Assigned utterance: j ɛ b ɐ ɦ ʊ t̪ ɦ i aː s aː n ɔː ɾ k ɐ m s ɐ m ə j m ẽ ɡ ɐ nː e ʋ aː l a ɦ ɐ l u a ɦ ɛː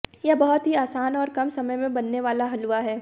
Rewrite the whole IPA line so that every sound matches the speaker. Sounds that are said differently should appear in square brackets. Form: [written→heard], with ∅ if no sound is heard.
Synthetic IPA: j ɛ b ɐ ɦ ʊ t̪ ɦ i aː s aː n ɔː ɾ k ɐ m s ɐ m ə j m ẽ [ɡ→b] ɐ nː e ʋ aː l a ɦ ɐ l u a ɦ ɛː